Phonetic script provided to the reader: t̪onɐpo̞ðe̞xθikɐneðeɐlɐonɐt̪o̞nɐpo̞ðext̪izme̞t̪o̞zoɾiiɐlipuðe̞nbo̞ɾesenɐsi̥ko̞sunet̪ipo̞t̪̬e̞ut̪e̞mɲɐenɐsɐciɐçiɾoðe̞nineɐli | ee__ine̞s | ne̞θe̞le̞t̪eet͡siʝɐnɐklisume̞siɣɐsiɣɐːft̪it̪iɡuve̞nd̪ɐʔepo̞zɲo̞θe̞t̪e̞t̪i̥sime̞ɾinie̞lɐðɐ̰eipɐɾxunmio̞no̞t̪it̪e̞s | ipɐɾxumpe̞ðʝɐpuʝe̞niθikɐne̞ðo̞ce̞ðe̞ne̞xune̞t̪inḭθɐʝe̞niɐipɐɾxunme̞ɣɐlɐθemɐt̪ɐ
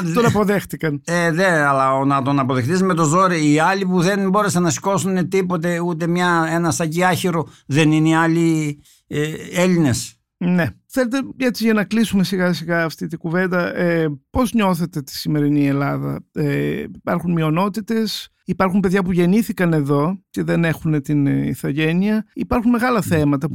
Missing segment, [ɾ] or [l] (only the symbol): l